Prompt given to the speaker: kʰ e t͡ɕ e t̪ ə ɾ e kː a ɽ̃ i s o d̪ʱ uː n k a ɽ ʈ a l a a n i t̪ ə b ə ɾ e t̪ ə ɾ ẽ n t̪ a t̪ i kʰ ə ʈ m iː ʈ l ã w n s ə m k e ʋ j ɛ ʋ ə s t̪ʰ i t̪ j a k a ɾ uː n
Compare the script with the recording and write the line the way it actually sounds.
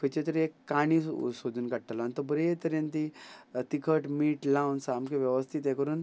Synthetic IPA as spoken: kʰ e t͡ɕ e t̪ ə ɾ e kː a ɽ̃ i s o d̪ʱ uː n k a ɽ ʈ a l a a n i t̪ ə b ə ɾ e t̪ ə ɾ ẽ n t̪ i t̪ i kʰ ə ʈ m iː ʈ l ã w n s a m k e ʋ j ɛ ʋ ə s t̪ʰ i t̪ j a k ə ɾ uː n